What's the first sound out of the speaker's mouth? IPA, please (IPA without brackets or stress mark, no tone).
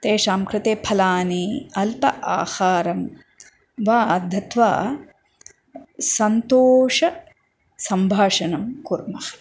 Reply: t̪